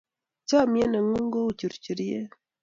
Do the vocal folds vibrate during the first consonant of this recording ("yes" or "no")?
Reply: no